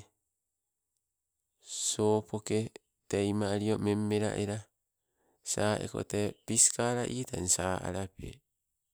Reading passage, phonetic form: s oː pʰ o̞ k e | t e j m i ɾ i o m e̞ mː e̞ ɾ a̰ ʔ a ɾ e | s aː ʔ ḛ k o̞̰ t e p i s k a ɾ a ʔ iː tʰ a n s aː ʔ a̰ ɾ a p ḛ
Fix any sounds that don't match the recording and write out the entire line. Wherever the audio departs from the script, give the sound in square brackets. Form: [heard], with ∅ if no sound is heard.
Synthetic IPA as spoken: s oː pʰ o̞ k e | t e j m [a] ɾ i o m e̞ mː e̞ ɾ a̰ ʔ [e] ɾ [a] | s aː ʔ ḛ k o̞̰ t e p i s k a ɾ a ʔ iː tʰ a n s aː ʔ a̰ ɾ a p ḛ